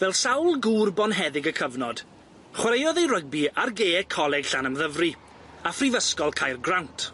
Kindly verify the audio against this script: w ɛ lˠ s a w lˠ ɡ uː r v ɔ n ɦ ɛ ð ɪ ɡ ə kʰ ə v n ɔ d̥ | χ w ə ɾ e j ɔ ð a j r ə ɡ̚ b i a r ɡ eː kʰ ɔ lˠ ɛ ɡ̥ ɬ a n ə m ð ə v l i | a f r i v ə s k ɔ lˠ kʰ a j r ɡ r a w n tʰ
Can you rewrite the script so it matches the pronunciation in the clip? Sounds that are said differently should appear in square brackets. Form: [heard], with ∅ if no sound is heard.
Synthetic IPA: [v] ɛ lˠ s a w lˠ ɡ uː r [b] ɔ n ɦ ɛ ð ɪ ɡ ə kʰ ə v n ɔ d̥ | χ w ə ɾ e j ɔ ð [e] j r ə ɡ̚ b i a r ɡ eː kʰ ɔ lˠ ɛ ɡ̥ ɬ a n ə m ð ə v [r] i | a f r i v ə s k ɔ lˠ kʰ a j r ɡ r a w n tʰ

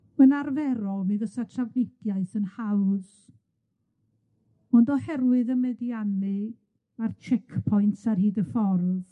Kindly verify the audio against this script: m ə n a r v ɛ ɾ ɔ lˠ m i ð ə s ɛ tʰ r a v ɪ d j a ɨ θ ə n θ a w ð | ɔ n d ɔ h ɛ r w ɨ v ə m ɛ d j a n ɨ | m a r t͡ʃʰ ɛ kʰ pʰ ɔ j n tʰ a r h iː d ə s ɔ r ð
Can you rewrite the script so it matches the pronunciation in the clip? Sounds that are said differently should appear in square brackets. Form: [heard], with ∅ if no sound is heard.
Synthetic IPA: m ə n a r v ɛ ɾ ɔ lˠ m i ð ə s [a] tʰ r a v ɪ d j a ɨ θ ə n [h] a w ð | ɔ n d ɔ h ɛ r w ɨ [ð] ə m ɛ d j a n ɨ | m a r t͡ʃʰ ɛ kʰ pʰ ɔ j n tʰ a r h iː d ə [f] ɔ r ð

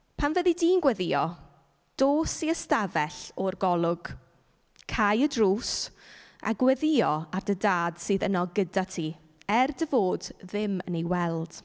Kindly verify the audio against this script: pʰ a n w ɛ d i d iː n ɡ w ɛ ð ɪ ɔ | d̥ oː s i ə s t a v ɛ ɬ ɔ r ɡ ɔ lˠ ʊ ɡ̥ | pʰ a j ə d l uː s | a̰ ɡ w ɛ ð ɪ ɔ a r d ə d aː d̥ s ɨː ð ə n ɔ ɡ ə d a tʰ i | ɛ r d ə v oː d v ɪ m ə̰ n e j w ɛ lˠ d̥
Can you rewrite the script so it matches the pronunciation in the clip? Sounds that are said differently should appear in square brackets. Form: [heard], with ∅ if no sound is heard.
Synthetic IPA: pʰ a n [v] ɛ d i d iː n ɡ w ɛ ð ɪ ɔ | d̥ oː s i ə s t a v ɛ ɬ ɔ r ɡ ɔ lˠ ʊ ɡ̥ | [kʰ] a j ə d [r] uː s | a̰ ɡ w ɛ ð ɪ ɔ a r d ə d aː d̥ s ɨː ð ə n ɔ ɡ ə d a tʰ i | ɛ r d ə v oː d [ð] ɪ m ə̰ n e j w ɛ lˠ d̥

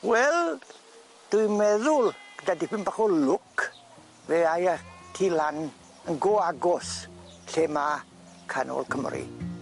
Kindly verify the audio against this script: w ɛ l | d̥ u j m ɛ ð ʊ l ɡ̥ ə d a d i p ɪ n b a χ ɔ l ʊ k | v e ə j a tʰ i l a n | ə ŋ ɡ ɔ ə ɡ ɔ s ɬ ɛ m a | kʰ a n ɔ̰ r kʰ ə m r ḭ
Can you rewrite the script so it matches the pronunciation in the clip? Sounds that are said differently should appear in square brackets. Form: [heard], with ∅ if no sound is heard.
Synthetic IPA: w ɛ l | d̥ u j m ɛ ð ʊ l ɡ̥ ə d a d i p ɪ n b a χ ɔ l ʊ k | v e [a] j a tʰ i l a n | ə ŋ ɡ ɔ [a] ɡ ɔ s ɬ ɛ m a | kʰ a n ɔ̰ [l] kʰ ə m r ḭ

